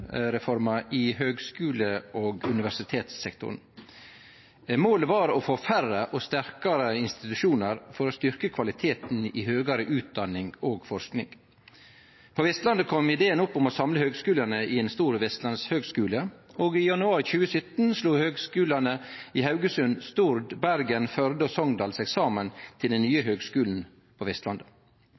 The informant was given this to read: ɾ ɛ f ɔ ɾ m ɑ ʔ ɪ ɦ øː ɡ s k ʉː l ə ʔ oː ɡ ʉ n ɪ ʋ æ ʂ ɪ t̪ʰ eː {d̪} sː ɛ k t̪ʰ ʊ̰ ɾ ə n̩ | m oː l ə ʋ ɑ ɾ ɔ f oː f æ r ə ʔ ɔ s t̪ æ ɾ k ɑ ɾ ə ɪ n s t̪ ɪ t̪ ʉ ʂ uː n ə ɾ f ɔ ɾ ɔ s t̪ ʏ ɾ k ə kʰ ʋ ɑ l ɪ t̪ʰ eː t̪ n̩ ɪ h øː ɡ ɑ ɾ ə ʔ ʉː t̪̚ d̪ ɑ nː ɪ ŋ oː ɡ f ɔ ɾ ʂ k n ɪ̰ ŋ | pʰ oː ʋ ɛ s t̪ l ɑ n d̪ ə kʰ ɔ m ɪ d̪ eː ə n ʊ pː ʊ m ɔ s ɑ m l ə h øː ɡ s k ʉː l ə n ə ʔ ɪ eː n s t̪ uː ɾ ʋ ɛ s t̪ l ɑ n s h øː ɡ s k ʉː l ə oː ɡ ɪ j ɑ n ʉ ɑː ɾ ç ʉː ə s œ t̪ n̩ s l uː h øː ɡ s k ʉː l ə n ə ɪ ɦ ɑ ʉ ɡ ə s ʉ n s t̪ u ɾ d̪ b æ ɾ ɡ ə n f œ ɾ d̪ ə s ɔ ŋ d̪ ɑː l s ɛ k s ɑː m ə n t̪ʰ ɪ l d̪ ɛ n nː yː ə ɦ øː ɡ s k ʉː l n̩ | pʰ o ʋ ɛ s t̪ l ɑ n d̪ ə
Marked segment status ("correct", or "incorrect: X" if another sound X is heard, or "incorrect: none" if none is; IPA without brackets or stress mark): incorrect: t̪